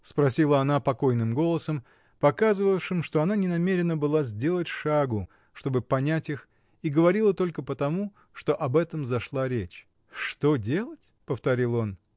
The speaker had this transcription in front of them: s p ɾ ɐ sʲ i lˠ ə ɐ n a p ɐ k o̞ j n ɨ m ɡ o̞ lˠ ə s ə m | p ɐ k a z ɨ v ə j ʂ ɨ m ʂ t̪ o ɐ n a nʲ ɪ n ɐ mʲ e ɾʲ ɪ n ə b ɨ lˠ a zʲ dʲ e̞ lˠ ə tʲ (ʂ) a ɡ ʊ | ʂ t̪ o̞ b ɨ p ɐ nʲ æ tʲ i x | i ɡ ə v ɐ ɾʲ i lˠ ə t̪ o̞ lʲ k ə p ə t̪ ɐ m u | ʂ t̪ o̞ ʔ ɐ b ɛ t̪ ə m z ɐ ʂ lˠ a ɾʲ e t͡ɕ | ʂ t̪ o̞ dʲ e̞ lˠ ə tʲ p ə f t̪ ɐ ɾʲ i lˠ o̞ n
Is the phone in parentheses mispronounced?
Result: no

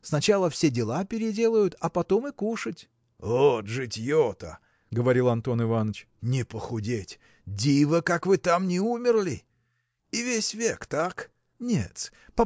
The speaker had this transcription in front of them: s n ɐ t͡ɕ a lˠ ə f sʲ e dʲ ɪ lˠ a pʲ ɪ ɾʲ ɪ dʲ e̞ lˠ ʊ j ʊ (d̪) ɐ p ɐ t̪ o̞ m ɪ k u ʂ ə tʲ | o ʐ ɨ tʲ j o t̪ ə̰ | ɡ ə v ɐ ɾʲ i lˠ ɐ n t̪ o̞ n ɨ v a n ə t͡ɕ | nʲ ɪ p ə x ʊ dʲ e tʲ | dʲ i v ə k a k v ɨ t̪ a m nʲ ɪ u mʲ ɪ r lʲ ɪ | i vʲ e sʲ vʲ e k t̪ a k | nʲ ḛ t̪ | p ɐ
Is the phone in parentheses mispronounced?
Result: yes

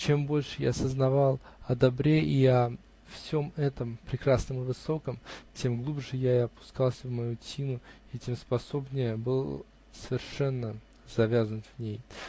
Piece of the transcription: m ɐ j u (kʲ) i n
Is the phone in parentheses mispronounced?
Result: yes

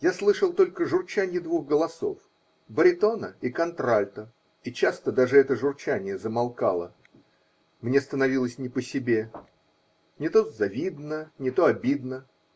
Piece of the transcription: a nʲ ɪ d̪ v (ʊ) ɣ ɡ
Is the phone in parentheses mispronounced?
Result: yes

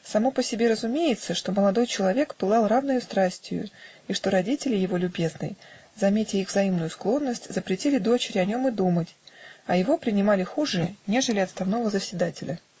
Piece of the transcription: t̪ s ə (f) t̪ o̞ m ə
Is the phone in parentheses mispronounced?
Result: yes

